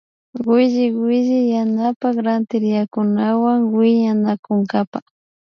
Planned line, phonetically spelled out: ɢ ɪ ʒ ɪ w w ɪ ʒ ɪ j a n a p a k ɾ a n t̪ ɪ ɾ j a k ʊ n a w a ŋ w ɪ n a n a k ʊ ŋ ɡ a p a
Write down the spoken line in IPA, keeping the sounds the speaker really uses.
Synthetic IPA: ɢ ɪ ʒ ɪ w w ɪ ʒ ɪ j a n a p a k ɾ a n t̪ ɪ ɾ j a k ʊ n a w a ŋ w ɪ ɲ a n a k ʊ ŋ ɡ a p a

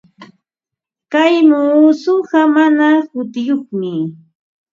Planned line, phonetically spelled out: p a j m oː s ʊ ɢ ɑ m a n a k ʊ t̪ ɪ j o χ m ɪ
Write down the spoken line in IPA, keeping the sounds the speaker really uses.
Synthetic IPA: k a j m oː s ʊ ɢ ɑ m a n a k ʊ t̪ ɪ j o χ m ɪ

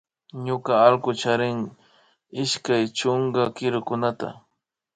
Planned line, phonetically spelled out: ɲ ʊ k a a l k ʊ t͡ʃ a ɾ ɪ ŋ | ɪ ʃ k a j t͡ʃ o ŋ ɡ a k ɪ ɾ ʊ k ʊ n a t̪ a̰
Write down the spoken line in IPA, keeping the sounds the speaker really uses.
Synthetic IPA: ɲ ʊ k a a l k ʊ t͡ʃ a ɾ ɪ ŋ | ɪ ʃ k a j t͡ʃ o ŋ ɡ a k ɪ ɾ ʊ k ʊ n a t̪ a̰

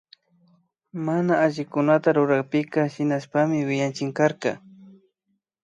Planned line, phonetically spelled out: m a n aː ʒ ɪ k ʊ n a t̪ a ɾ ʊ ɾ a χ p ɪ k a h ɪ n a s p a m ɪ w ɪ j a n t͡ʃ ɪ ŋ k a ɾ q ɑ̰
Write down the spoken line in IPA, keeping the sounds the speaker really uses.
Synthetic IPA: m a n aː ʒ ɪ k ʊ n a t̪ a ɾ ʊ ɾ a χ p ɪ k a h ɪ n a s p a m ɪ w ɪ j a n t͡ʃ ɪ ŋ k a ɾ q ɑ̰

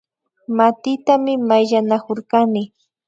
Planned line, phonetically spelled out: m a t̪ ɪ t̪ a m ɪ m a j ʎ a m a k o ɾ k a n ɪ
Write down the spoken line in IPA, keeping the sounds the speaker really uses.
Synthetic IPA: m a t̪ ɪ t̪ a m ɪ m a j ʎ a n a k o ɾ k a n ɪ

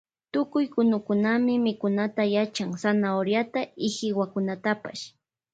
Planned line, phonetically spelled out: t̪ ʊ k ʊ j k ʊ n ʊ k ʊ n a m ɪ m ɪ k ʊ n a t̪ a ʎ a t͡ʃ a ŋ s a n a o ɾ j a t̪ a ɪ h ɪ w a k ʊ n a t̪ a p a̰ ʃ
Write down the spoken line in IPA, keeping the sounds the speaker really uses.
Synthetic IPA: t̪ ʊ k ʊ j k ʊ n ʊ k ʊ n a m ɪ m ɪ k ʊ n a t̪ a j a t͡ʃ a ŋ s a n a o ɾ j a t̪ a ɪ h ɪ w a k ʊ n a t̪ a p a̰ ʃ

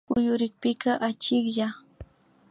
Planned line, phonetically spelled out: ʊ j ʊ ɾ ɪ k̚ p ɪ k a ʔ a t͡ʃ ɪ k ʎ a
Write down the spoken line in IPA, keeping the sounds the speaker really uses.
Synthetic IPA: ʊ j ʊ ɾ ɪ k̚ p ɪ k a ʔ a t͡ʃ ɪ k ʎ a

